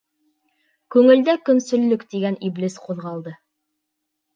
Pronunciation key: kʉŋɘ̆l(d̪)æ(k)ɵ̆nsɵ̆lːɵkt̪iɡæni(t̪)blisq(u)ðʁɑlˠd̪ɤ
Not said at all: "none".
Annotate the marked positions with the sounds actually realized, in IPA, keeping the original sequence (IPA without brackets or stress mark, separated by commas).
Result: d̪, k, none, u